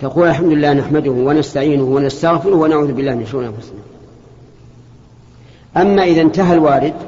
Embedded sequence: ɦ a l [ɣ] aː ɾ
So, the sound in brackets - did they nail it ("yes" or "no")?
no